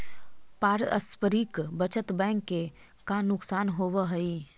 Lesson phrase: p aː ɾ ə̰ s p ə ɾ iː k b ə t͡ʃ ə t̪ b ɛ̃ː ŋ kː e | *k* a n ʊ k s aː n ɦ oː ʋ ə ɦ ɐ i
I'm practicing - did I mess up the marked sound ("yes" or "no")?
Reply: no